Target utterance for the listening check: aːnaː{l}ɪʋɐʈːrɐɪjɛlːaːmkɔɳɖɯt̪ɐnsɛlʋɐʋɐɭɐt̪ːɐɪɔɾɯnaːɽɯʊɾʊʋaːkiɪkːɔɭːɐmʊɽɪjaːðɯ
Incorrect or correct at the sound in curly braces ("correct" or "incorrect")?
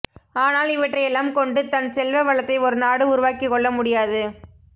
correct